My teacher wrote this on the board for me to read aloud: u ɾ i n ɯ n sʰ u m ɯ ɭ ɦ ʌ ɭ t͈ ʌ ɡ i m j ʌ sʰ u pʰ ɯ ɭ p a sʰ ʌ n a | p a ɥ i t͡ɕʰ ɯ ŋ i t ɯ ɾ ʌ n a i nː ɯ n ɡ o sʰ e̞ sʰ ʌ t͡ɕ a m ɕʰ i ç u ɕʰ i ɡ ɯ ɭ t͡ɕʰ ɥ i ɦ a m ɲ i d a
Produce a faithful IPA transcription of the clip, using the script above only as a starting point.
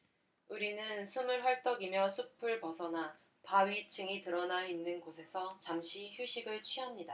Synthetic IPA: u ɾ i n ɯ n sʰ u m ɯ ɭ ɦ ʌ ɭ t͈ ʌ ɡ i m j ʌ sʰ u pʰ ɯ ɭ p ʌ sʰ ʌ n a | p a ɥ i t͡ɕʰ ɯ ŋ i t ɯ ɾ ʌ n a i nː ɯ n ɡ o sʰ e̞ sʰ ʌ t͡ɕ a m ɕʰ i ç u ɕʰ i ɡ ɯ ɭ t͡ɕʰ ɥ i ɦ a m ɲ i d a

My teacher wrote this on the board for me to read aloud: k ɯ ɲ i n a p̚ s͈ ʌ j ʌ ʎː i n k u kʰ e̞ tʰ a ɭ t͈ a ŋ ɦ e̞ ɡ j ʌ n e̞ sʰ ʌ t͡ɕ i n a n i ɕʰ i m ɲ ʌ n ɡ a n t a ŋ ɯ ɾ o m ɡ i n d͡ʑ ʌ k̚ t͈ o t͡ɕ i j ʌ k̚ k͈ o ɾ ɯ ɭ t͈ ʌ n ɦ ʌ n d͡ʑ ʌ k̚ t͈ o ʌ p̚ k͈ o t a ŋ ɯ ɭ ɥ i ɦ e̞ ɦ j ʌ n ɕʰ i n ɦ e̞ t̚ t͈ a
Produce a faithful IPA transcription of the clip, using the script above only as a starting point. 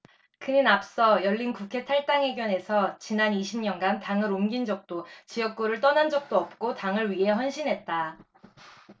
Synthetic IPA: k ɯ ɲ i n a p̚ s͈ ʌ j ʌ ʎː i n k u kʰ e̞ tʰ a ɭ t͈ a ŋ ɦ e̞ ɡ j ʌ n e̞ sʰ ʌ t͡ɕ i n a n i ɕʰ i m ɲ ʌ n ɡ a n t a ŋ ɯ ɾ o m ɡ i n d͡ʑ ʌ k̚ t͈ o t͡ɕ i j ʌ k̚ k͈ o ɾ ɯ ɭ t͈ ʌ n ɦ a n d͡ʑ ʌ k̚ t͈ o ʌ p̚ k͈ o t a ŋ ɯ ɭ ɥ i ɦ e̞ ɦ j ʌ n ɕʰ i n ɦ e̞ t̚ t͈ a

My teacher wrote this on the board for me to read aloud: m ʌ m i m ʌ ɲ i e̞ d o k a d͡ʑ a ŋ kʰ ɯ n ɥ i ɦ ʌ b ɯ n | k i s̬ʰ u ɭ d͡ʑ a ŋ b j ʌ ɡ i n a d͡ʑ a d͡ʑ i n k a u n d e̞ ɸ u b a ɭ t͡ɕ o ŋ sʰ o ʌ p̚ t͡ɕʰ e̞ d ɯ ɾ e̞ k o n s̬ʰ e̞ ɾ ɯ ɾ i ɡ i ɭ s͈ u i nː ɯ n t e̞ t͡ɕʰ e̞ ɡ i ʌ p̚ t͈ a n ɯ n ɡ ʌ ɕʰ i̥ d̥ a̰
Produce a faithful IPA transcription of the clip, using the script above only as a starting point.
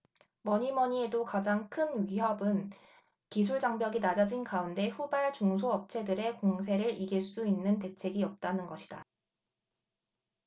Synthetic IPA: m ʌ ɲ i m ʌ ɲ i e̞ d o k a d͡ʑ a ŋ kʰ ɯ n ɥ i ɦ ʌ b ɯ n | k i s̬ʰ u ɭ d͡ʑ a ŋ b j ʌ ɡ i n a d͡ʑ a d͡ʑ i n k a u n d e̞ ɸ u b a ɭ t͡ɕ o ŋ sʰ o ʌ p̚ t͡ɕʰ e̞ d ɯ ɾ e̞ k o ŋ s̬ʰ e̞ ɾ ɯ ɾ i ɡ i ɭ s͈ u i nː ɯ n t e̞ t͡ɕʰ e̞ ɡ i ʌ p̚ t͈ a n ɯ n ɡ ʌ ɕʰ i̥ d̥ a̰

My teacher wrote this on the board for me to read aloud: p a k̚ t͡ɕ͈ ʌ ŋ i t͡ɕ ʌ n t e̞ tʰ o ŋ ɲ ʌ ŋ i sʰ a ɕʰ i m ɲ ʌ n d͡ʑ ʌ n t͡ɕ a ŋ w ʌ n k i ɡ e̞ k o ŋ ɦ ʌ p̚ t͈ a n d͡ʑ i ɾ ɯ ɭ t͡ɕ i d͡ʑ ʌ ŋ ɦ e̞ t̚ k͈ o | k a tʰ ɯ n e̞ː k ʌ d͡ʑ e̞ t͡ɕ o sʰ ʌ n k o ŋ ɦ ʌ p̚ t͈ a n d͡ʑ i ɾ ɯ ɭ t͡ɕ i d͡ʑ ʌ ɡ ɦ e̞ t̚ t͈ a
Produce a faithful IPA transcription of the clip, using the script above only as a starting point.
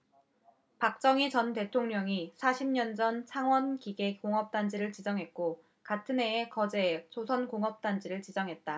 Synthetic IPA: p a k̚ t͡ɕ͈ ʌ ŋ i t͡ɕ ʌ n t e̞ tʰ o ŋ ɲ ʌ ŋ i sʰ a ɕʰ i m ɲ ʌ n d͡ʑ ʌ n t͡ɕʰ a ŋ w ʌ n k i ɡ e̞ k o ŋ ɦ ʌ p̚ t͈ a n d͡ʑ i ɾ ɯ ɭ t͡ɕ i d͡ʑ ʌ ŋ ɦ e̞ t̚ k͈ o | k a tʰ ɯ n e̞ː k ʌ d͡ʑ e̞ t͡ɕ o sʰ ʌ n k o ŋ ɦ ʌ p̚ t͈ a n d͡ʑ i ɾ ɯ ɭ t͡ɕ i d͡ʑ ʌ ŋ ɦ e̞ t̚ t͈ a

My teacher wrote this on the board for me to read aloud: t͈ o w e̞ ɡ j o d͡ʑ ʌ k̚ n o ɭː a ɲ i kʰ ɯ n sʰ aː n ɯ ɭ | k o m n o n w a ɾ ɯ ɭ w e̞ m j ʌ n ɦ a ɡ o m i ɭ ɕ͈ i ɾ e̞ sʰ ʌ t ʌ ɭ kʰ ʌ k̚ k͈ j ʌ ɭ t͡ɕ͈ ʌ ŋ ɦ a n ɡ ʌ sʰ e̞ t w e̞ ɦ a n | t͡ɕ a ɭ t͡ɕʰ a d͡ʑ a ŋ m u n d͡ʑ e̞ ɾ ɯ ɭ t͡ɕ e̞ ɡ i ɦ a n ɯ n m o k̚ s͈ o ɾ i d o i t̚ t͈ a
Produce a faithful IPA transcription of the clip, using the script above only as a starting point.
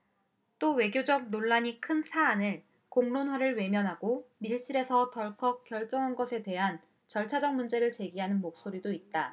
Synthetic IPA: t͈ o w e̞ ɡ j o d͡ʑ ʌ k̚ n o ɭː a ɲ i kʰ ɯ n sʰ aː n ɯ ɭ | k o ŋ n o n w a ɾ ɯ ɭ w e̞ m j ʌ n ɦ a ɡ o m i ɭ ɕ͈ i ɾ e̞ sʰ ʌ t ʌ ɭ kʰ ʌ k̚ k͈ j ʌ ɭ t͡ɕ͈ ʌ ŋ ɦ a n ɡ ʌ sʰ e̞ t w e̞ ɦ a n | t͡ɕ ʌ ɭ t͡ɕʰ a d͡ʑ ʌ ŋ m u n d͡ʑ e̞ ɾ ɯ ɭ t͡ɕ e̞ ɡ i ɦ a n ɯ n m o k̚ s͈ o ɾ i d o i t̚ t͈ a

